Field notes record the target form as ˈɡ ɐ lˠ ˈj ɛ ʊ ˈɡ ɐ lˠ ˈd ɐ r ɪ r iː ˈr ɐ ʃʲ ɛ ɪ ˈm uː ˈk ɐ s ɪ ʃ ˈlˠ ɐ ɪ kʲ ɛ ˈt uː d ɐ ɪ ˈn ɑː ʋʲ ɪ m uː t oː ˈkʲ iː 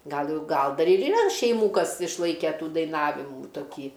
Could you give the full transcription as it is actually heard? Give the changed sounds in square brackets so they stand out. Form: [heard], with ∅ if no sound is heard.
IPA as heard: ˈɡ ɐ lˠ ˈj ɛ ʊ ˈɡ ɐ lˠ ˈd ɐ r ɪ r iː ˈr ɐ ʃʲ ɛ ɪ ˈm uː ˈk ɐ s ɪ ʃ ˈlˠ ɐ ɪ kʲ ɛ ˈt uː d ɐ ɪ ˈn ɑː ʋʲ ɪ m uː t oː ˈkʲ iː

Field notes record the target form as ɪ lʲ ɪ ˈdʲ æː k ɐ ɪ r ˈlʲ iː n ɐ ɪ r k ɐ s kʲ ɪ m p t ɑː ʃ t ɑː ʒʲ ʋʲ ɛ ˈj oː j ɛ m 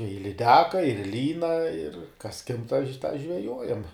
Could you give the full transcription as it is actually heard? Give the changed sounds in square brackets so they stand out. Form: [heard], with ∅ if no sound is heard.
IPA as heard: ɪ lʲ ɪ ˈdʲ æː k ɐ ɪ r ˈlʲ iː n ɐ ɪ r k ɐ s kʲ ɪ m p t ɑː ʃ t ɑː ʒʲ ʋʲ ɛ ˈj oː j ɛ m

